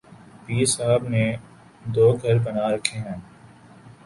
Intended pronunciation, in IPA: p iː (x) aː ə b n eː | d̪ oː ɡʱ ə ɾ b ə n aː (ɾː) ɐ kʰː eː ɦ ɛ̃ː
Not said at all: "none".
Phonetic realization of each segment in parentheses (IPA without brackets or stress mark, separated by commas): s, ɾ